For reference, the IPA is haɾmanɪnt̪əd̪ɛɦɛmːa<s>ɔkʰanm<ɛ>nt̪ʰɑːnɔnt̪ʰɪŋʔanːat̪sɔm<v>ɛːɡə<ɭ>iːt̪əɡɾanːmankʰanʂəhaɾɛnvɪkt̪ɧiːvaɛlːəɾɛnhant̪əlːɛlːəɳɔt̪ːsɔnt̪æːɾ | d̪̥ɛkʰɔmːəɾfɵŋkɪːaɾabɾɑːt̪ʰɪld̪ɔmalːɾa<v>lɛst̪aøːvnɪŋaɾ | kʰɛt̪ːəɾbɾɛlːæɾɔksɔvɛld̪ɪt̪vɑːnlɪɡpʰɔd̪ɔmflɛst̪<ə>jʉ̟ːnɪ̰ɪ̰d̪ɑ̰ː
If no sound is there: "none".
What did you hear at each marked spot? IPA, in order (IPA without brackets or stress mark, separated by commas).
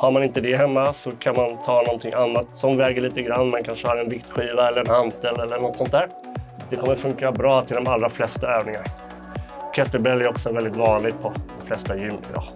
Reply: s, a, v, ɭ, f, a